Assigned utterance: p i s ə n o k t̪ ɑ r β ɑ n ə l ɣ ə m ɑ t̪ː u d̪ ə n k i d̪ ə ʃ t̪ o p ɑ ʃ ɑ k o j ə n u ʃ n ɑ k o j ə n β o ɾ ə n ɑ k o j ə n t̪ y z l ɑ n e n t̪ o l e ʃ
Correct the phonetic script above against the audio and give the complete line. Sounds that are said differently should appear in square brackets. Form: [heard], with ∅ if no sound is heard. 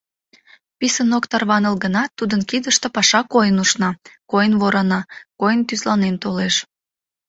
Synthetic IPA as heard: p i s ə n o k t̪ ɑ r β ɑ n ə l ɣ ə [n] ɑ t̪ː u d̪ ə n k i d̪ ə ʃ t̪ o p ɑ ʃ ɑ k o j ə n u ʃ n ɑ k o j ə n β o ɾ [ɑ] n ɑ k o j ə n t̪ y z l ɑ n e n t̪ o l e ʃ

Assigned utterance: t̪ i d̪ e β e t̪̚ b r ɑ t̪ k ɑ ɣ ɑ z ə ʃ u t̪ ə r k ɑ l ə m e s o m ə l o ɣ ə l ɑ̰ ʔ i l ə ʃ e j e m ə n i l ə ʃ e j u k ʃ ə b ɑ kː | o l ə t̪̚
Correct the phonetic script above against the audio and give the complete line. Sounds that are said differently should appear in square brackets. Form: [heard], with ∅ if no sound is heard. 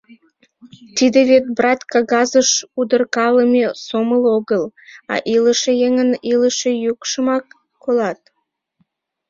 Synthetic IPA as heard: t̪ i d̪ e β e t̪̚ b r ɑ t̪ k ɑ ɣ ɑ z ə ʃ u [d̪] ə r k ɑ l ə m e s o m ə l o ɣ ə l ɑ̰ ʔ i l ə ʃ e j e [ŋ] ə n i l ə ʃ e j u k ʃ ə [m] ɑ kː | o l [ɑ] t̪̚

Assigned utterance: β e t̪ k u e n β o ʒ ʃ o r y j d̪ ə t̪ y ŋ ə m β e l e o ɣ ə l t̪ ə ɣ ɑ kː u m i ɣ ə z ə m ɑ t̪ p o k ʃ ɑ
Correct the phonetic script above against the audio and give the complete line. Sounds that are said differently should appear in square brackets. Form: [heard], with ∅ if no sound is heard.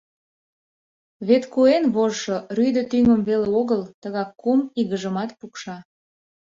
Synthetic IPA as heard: β e t̪ k u e n β o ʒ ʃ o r y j d̪ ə t̪ y ŋ ə m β e l e o ɣ ə l t̪ ə ɣ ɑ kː u m i ɣ ə [ʒ] ə m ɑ t̪ p [u] k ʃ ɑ

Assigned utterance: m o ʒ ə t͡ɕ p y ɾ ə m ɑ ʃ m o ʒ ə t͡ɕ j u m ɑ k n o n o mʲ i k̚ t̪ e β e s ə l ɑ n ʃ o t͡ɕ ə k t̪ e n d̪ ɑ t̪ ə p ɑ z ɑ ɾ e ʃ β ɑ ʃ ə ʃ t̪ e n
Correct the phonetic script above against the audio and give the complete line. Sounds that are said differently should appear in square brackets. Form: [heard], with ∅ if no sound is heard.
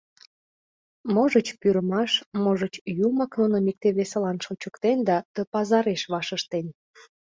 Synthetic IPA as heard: m o ʒ ə t͡ɕ p y ɾ ə m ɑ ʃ m o ʒ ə t͡ɕ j u m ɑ k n o n o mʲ i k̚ t̪ e β e s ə l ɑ n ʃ o t͡ɕ ə k t̪ e n d̪ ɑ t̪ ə p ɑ z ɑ ɾ e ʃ β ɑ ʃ ə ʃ t̪ e n

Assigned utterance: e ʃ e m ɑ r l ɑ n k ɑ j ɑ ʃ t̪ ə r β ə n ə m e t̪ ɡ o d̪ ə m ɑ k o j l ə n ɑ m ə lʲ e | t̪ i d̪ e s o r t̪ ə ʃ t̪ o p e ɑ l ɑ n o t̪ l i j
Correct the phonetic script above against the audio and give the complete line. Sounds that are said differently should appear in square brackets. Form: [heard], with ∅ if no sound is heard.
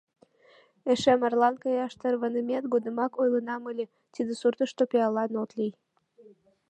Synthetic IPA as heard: e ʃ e m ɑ r l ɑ n k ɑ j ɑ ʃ t̪ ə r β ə n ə m e t̪ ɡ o d̪ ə m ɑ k o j l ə n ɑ m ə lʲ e | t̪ i d̪ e s [u] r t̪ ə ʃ t̪ o p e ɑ l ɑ n o t̪ l i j

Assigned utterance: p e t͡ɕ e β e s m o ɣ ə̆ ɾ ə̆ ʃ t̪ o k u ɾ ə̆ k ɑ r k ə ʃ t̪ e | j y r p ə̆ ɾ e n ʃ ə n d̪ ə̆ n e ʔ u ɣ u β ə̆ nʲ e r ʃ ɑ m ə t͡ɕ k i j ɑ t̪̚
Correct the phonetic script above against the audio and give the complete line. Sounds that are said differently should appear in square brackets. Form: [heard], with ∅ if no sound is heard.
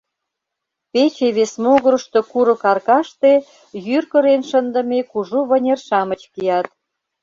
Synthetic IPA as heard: p e t͡ɕ e β e s m o ɣ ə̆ ɾ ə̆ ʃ t̪ o k u ɾ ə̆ k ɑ r k [ɑ] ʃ t̪ e | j y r [k] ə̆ ɾ e n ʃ ə n d̪ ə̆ [m] e [k] u [ʒ] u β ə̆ nʲ e r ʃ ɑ m ə t͡ɕ k i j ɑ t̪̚

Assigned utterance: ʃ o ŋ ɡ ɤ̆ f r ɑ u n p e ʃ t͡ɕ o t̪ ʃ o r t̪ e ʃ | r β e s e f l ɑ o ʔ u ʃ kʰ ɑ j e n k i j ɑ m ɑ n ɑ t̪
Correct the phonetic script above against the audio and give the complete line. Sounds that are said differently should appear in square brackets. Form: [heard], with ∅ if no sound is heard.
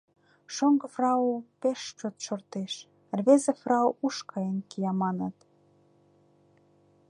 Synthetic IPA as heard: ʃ o ŋ ɡ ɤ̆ f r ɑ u [∅] p e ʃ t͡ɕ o t̪ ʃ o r t̪ e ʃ | r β e [z] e f [r] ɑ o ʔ u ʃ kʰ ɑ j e n k i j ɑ m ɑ n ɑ t̪

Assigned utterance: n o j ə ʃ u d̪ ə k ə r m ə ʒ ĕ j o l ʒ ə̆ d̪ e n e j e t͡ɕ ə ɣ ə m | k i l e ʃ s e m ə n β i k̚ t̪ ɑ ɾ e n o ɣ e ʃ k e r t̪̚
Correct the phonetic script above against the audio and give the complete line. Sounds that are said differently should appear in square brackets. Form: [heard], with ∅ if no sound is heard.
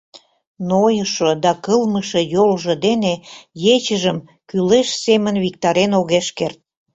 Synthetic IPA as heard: n o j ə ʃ [o] d̪ [ɑ] k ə [l] m ə [ʃ] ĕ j o l ʒ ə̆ d̪ e n e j e t͡ɕ ə [ʒ] ə m | k [y] l e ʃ s e m ə n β i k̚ t̪ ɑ ɾ e n o ɣ e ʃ k e r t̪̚

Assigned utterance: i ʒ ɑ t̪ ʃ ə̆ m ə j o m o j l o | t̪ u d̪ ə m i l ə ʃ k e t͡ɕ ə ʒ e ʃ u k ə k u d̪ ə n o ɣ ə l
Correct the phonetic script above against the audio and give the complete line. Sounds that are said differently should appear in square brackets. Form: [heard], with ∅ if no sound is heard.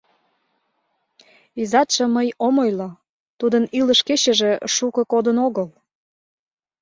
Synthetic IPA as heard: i [z] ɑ t̪ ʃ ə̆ m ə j o m o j l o | t̪ u d̪ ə [n] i l ə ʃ k e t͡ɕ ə ʒ e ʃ u k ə k [o] d̪ ə n o ɣ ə l

